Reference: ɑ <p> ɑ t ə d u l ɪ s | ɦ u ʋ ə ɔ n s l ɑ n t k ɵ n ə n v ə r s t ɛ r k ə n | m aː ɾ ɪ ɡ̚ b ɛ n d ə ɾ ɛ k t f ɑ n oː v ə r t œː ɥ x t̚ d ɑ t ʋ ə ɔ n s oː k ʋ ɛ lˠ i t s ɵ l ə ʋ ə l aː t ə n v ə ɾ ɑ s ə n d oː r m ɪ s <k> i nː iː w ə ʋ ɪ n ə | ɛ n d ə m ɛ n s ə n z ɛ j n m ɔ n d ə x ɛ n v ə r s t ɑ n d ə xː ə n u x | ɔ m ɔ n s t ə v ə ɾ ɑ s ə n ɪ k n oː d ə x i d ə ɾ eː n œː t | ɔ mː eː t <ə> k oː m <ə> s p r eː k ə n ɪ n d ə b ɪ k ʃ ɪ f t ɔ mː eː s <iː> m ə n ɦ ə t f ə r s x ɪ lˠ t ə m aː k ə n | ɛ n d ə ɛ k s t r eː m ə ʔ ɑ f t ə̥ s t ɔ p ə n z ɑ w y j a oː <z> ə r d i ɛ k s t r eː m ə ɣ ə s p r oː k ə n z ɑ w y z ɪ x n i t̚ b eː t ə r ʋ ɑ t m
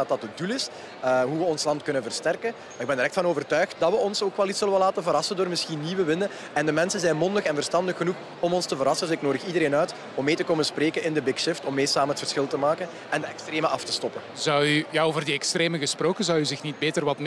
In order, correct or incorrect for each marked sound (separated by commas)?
incorrect, incorrect, correct, correct, incorrect, incorrect